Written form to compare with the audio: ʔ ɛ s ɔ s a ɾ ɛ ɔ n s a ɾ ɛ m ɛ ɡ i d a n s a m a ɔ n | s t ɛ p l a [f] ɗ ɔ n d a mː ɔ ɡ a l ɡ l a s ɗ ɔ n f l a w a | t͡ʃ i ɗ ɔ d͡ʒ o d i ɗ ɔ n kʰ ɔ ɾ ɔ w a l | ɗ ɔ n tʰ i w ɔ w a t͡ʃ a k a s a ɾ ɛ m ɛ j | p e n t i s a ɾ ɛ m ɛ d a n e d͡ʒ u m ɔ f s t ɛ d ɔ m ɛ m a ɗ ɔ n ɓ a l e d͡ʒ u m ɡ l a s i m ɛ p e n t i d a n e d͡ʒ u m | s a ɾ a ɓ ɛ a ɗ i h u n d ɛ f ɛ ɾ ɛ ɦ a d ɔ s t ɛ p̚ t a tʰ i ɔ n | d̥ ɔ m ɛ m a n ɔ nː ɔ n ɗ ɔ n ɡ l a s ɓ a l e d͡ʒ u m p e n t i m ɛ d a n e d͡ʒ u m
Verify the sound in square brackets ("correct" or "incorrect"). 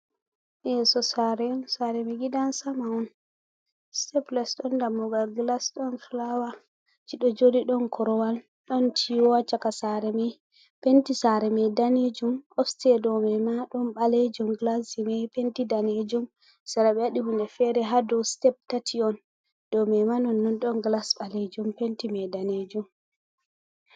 incorrect